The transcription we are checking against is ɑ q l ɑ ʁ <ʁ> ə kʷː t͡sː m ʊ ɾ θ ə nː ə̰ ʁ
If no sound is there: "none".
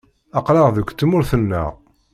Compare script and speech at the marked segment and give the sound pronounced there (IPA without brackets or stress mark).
ð